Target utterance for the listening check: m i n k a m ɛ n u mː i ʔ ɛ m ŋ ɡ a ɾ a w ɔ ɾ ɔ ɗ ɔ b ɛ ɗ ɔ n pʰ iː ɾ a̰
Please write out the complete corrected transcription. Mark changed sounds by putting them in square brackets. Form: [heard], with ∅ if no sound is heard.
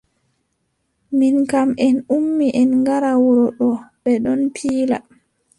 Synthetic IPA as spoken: m i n k a m ɛ n u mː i ʔ ɛ [n] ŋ ɡ a ɾ a w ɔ ɾ ɔ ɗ ɔ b ɛ ɗ ɔ n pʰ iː [l] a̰